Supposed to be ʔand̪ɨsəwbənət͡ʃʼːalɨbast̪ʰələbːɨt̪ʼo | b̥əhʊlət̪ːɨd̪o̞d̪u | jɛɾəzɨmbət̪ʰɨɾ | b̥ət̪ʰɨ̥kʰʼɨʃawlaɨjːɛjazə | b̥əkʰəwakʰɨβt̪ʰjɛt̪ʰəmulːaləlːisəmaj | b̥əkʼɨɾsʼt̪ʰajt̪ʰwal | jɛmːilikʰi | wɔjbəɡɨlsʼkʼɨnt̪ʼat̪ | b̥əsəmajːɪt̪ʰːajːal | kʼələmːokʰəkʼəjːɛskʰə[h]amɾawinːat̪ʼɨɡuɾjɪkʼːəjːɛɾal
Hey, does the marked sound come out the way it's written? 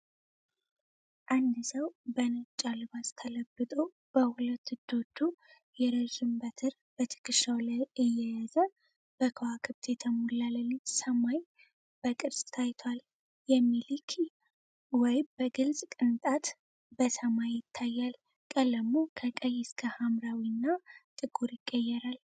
yes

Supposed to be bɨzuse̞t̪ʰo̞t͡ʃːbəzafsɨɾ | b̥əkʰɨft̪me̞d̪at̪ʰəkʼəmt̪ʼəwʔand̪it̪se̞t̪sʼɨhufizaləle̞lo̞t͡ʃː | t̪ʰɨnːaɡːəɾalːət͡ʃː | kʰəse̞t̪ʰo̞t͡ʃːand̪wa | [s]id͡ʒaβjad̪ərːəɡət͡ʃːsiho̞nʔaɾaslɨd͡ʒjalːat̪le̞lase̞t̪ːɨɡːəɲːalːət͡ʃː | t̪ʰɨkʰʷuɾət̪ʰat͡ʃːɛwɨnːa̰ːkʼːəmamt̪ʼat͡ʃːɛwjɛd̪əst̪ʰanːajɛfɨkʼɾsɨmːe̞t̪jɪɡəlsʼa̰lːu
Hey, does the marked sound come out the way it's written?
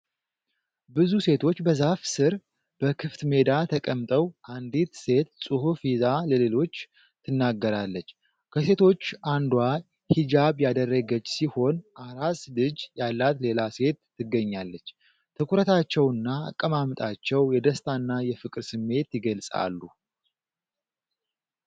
no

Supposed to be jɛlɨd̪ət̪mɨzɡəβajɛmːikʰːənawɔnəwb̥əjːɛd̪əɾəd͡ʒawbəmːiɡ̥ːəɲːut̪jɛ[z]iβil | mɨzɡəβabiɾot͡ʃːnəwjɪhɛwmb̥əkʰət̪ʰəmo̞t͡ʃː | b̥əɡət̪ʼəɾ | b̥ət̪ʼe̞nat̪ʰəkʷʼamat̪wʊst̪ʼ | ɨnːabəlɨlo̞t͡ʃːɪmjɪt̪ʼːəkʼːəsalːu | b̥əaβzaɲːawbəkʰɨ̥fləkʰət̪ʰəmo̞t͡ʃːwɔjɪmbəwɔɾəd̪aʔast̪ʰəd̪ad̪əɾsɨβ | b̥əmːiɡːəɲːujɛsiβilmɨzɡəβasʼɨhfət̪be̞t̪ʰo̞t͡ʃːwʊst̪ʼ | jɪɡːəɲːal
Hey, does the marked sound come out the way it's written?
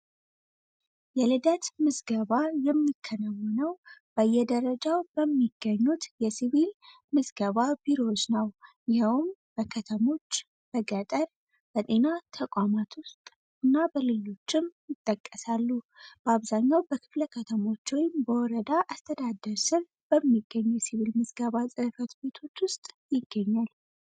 no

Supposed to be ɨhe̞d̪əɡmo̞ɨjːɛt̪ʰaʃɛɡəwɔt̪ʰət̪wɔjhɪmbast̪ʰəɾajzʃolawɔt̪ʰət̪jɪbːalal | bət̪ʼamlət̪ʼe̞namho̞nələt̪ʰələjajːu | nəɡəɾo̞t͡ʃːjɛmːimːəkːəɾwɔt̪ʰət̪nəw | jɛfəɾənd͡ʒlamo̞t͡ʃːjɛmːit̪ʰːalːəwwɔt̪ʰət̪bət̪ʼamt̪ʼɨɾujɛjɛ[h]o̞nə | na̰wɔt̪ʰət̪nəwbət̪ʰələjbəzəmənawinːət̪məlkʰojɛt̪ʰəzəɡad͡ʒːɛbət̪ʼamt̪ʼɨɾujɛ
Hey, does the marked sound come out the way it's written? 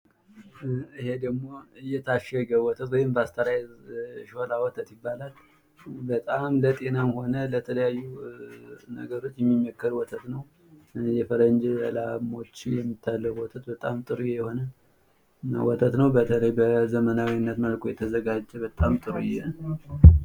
yes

